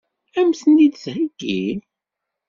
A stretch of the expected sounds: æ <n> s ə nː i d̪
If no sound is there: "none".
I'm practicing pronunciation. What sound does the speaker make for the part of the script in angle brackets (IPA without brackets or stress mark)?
m